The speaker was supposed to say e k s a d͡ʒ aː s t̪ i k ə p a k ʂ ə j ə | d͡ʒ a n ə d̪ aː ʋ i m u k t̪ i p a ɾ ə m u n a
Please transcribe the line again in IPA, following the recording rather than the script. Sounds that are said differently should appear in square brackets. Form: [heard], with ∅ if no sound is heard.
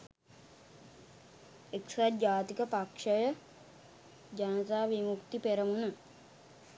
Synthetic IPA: e k s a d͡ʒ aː [∅] t̪ i k ə p a k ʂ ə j ə | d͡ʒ a n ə [t̪] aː ʋ i m u k t̪ i p [e] ɾ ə m u n [ə]